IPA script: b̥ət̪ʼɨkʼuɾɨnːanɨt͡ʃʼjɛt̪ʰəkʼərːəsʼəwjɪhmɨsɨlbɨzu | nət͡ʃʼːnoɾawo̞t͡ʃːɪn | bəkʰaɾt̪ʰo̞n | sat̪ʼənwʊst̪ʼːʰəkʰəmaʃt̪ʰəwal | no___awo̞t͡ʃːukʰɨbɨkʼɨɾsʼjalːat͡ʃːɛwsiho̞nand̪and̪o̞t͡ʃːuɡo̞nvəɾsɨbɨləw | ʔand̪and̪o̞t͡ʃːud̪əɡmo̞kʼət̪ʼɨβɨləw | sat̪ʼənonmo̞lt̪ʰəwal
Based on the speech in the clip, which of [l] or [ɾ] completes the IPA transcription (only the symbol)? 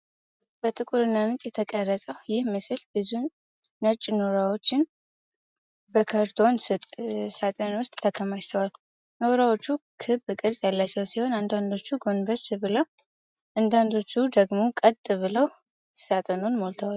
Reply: ɾ